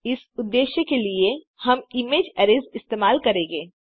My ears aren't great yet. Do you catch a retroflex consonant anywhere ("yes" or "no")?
no